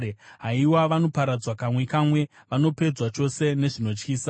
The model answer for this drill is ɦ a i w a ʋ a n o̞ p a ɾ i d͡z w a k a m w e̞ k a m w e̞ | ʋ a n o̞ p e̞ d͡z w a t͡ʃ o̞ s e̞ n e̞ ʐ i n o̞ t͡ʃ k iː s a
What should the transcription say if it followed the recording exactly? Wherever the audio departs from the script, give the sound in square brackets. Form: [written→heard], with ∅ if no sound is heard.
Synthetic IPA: ɦ a i w a ʋ a n o̞ p a ɾ [i→a] d͡z w a k a m w e̞ k a m w e̞ | ʋ a n o̞ p e̞ d͡z w a t͡ʃ o̞ s e̞ n e̞ ʐ i n o̞ t͡ʃ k iː s a